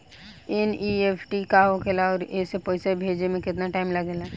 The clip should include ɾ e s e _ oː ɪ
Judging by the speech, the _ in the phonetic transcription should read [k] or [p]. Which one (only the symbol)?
p